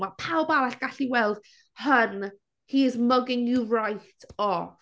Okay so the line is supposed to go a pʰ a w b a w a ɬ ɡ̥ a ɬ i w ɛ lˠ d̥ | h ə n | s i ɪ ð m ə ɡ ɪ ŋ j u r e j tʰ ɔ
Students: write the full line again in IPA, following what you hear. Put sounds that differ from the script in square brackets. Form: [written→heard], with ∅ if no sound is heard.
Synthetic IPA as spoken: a pʰ a w b a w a ɬ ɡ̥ a ɬ i w ɛ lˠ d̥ | h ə n | [s→h] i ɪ [ð→z] m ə ɡ ɪ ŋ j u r [e→a] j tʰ ɔ

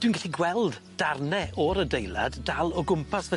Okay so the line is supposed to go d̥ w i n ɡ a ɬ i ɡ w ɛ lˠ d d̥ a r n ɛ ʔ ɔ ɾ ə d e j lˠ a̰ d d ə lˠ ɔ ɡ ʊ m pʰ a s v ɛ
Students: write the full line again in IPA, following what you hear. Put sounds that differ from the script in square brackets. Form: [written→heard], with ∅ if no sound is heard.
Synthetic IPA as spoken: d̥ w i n ɡ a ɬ i ɡ w ɛ lˠ d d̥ a r n ɛ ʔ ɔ ɾ ə d e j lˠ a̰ d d [ə→a] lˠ ɔ ɡ ʊ m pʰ a s v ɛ

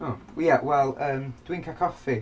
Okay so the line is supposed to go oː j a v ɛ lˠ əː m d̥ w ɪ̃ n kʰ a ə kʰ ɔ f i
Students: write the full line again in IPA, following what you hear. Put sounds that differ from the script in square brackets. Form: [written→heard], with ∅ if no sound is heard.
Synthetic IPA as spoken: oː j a [v→w] ɛ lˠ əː m d̥ w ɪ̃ [n→ŋ] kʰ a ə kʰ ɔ f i

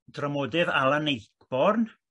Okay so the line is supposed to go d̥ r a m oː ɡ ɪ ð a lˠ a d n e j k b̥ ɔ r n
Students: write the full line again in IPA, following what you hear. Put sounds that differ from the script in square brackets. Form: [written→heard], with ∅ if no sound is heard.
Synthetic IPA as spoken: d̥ r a m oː [ɡ→d] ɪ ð a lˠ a [d→∅] n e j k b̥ ɔ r n

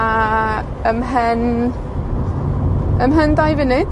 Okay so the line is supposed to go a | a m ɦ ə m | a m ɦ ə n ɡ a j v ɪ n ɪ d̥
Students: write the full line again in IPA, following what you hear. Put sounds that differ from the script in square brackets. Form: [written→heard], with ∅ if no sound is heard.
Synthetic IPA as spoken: a | [a→ə] m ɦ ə [m→n] | [a→ə] m ɦ ə n [ɡ→d] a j v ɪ n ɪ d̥

